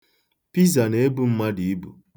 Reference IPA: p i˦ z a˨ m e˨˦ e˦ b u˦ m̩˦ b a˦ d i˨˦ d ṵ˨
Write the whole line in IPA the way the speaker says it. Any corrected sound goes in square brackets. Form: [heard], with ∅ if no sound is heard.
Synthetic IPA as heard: p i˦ z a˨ [n] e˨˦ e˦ b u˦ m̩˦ [m] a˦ d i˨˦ [b] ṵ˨